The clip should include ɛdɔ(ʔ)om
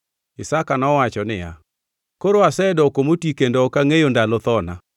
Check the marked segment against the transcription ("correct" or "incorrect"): incorrect